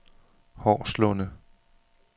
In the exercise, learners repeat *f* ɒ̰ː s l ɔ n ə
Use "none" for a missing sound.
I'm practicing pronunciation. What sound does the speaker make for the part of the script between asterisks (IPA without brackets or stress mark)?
h